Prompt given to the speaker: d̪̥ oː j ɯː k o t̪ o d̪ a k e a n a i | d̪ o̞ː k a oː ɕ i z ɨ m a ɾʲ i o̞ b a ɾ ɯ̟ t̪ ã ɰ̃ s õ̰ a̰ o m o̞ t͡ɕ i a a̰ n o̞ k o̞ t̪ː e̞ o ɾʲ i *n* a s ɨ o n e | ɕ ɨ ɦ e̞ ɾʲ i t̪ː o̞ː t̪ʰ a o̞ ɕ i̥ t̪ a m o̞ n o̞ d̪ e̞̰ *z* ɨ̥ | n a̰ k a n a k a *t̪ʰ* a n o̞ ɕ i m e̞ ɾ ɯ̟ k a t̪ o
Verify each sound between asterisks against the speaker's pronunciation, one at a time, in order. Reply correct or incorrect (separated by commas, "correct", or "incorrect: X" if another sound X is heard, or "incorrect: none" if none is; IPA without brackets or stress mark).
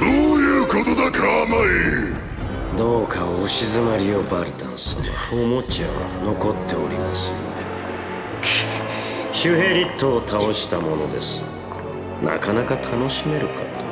incorrect: m, incorrect: s, correct